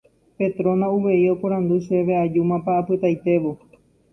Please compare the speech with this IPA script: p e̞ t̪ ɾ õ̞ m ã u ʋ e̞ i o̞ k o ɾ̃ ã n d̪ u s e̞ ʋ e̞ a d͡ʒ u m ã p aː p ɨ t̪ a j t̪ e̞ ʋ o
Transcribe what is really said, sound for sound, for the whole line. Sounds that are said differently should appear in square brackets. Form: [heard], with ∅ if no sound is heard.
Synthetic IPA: p e̞ t̪ ɾ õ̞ [n] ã u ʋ e̞ i o̞ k o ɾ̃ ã n d̪ u [ʃ] e̞ ʋ e̞ a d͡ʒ u m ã p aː p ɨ t̪ a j t̪ e̞ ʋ o